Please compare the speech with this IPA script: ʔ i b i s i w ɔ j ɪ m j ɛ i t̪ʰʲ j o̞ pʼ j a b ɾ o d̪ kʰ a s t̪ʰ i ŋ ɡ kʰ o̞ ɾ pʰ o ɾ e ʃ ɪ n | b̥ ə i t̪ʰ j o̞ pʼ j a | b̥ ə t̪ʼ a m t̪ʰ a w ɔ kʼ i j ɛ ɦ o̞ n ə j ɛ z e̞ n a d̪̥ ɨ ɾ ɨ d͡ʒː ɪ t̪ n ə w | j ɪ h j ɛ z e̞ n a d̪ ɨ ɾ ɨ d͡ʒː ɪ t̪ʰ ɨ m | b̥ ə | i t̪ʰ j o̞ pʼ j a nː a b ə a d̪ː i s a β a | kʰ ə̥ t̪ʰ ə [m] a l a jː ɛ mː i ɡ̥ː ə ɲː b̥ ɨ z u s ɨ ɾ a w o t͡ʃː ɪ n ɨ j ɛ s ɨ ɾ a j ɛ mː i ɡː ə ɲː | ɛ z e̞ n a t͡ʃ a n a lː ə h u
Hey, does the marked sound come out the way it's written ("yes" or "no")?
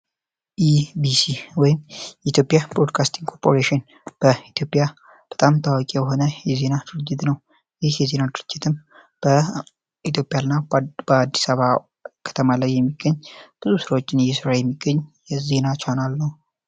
yes